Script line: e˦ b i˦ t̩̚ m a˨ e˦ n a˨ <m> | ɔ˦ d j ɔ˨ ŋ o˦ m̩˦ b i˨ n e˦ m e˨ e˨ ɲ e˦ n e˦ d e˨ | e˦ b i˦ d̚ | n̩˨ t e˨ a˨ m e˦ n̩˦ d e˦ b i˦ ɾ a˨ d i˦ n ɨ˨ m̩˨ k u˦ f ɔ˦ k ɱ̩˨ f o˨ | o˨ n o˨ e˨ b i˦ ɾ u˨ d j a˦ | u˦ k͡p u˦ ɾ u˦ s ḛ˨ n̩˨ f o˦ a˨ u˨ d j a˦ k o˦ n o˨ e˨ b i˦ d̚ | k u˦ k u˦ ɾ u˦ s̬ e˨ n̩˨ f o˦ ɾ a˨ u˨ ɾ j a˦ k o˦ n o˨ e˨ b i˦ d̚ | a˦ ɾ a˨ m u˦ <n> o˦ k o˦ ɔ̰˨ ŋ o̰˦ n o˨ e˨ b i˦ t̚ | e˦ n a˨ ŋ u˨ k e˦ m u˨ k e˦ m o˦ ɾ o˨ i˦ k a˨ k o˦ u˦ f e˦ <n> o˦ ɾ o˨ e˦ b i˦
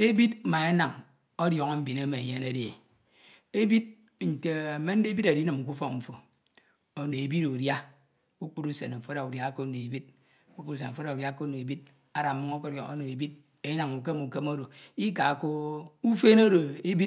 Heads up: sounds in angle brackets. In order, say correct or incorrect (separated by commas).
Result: incorrect, incorrect, correct